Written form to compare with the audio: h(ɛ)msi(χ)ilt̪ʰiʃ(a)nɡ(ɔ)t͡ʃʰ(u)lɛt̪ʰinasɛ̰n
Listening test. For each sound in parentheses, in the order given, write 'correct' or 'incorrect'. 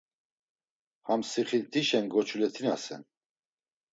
incorrect, correct, incorrect, correct, correct

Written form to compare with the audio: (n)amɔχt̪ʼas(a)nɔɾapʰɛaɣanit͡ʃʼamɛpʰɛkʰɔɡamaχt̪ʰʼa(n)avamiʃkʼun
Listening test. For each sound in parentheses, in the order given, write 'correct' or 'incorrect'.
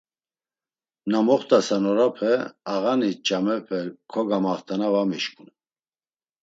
correct, correct, correct

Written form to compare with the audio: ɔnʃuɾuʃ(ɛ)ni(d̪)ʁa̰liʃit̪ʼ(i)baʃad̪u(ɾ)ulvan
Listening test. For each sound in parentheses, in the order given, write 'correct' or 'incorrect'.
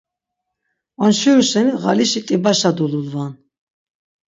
correct, incorrect, correct, incorrect

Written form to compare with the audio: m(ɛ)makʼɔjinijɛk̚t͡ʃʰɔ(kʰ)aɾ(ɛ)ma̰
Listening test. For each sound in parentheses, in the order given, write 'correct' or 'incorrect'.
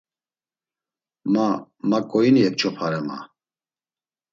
incorrect, incorrect, correct

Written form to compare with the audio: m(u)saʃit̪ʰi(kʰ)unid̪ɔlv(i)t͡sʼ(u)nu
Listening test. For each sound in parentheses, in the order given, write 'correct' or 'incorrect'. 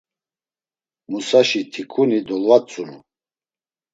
correct, correct, incorrect, correct

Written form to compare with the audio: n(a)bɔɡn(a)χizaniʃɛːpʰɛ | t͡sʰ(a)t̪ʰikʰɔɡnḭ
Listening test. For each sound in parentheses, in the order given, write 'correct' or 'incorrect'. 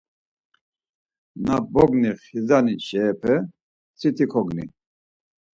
correct, incorrect, incorrect

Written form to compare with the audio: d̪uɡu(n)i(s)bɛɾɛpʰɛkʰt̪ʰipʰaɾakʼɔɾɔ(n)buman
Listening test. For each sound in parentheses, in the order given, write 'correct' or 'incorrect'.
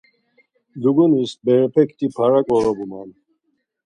correct, correct, incorrect

